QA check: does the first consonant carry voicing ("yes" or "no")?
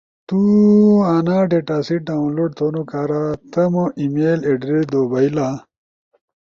no